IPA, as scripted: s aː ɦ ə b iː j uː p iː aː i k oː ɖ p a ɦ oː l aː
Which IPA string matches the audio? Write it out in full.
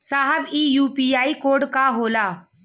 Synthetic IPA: s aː ɦ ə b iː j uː p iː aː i k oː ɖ k a ɦ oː l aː